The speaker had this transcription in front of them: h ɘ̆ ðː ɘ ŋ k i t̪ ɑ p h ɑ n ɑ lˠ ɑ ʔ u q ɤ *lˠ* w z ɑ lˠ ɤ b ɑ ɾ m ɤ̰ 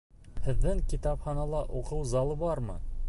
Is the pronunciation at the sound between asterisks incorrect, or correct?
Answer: incorrect